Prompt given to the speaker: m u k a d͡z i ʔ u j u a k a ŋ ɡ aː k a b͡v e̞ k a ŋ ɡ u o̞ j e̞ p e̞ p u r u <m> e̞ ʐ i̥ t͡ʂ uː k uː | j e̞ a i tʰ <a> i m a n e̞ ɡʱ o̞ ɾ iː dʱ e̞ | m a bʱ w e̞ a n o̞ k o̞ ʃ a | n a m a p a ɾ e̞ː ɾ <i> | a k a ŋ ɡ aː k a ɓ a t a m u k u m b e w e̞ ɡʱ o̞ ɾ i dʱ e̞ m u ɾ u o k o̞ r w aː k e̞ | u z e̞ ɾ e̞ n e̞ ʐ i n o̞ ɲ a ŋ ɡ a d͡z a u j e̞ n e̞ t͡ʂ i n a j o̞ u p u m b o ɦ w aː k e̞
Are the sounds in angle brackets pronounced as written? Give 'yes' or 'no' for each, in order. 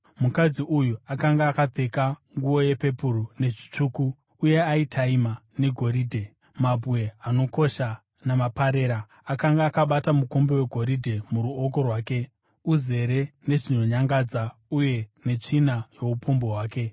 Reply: no, yes, no

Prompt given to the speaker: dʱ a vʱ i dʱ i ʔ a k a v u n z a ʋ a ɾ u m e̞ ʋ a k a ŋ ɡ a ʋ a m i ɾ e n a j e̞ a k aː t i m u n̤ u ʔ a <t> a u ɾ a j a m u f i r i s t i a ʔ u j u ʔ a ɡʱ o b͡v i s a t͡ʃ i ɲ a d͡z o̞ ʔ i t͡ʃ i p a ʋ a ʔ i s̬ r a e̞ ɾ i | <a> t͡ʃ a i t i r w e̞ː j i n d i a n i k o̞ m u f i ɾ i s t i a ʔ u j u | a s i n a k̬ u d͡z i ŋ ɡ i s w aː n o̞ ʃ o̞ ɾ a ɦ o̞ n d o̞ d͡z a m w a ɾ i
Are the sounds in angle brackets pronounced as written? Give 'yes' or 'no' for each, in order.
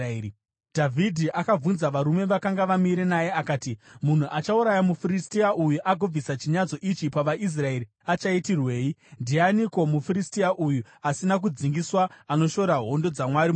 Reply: no, yes

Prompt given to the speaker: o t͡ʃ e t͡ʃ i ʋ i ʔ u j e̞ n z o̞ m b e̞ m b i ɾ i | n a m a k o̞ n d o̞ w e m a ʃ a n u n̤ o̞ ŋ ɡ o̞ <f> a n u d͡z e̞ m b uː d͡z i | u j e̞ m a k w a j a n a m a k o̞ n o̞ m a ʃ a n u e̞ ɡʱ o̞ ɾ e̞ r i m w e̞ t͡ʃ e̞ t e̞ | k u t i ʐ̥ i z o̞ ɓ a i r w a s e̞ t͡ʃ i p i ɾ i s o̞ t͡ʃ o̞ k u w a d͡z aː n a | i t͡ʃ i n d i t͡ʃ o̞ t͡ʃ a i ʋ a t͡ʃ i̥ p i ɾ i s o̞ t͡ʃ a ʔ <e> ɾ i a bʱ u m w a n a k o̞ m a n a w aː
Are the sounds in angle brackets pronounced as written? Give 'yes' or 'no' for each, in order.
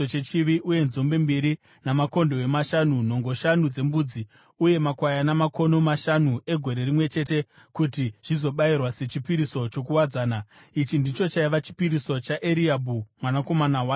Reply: no, yes

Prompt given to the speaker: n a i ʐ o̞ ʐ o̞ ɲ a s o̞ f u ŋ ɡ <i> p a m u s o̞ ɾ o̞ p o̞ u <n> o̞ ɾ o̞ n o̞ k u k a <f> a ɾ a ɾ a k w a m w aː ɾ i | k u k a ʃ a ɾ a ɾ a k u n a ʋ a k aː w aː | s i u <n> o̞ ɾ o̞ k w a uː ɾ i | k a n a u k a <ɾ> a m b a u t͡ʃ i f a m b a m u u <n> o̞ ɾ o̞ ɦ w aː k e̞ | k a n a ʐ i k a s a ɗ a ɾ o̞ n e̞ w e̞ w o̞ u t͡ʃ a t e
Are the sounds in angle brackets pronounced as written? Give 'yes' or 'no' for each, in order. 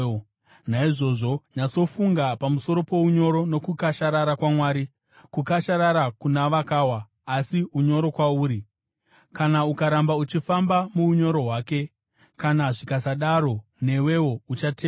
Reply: no, no, no, no, yes, no

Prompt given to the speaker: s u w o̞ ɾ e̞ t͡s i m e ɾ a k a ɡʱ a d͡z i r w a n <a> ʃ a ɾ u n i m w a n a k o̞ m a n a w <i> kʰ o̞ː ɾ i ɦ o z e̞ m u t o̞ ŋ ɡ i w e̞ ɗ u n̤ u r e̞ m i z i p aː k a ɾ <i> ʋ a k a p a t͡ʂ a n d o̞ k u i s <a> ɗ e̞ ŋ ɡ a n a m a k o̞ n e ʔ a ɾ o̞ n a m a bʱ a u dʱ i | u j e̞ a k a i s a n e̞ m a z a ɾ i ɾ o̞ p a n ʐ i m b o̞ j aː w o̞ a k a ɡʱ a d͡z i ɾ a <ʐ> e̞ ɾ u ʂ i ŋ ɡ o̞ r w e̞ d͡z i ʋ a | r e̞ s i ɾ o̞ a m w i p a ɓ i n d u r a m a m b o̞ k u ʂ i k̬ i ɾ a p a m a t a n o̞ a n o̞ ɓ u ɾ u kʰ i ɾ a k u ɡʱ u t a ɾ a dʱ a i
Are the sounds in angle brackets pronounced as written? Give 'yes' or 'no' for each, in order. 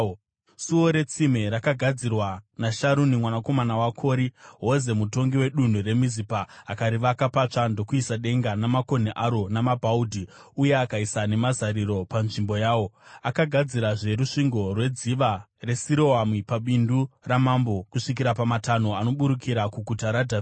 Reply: yes, no, yes, yes, yes

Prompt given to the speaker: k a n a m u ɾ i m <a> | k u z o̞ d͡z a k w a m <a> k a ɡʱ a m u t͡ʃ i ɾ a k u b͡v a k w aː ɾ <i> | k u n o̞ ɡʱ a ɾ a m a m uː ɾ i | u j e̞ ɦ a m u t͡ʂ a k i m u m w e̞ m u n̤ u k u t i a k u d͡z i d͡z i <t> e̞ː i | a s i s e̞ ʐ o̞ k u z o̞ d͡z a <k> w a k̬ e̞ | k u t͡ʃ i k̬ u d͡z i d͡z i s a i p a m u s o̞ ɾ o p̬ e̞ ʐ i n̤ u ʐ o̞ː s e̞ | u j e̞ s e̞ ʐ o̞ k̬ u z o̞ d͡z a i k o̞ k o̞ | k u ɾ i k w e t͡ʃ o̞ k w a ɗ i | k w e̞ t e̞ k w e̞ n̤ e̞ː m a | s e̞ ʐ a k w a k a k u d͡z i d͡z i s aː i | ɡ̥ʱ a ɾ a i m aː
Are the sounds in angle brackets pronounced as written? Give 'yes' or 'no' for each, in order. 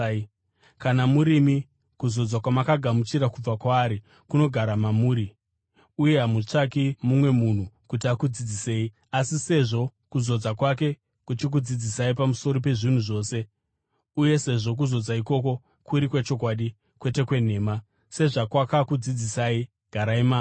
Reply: no, yes, yes, no, yes

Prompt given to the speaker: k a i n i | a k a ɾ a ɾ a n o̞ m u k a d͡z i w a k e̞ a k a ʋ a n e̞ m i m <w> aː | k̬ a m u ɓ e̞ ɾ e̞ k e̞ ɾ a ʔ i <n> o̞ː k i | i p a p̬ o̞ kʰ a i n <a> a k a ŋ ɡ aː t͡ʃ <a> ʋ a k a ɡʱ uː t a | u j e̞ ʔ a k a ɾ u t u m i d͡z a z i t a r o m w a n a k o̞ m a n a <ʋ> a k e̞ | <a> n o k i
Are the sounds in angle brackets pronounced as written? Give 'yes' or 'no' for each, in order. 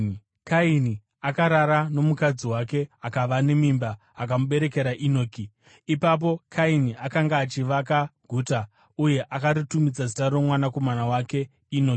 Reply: no, yes, no, no, no, no

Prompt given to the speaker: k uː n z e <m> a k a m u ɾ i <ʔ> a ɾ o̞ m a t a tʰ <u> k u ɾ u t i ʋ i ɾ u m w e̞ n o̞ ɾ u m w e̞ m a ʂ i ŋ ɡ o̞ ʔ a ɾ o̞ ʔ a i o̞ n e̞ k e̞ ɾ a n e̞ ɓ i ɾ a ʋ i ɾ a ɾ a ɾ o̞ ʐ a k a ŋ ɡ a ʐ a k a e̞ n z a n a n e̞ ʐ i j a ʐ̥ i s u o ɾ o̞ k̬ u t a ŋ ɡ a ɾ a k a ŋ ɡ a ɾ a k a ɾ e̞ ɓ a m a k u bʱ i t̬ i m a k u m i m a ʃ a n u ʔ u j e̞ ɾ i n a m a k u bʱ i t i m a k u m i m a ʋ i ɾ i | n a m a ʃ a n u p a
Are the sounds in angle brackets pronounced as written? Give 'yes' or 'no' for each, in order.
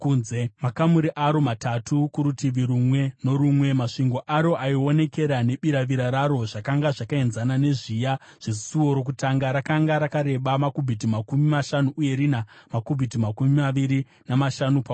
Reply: yes, yes, yes

